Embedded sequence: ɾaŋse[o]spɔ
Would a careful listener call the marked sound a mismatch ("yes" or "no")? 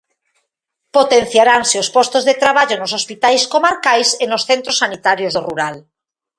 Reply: no